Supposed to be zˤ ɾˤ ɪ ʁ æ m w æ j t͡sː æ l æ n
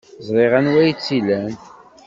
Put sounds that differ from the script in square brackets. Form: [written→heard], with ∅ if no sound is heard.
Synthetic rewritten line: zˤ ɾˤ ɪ ʁ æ [m→n] w æ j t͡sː [æ→i] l æ n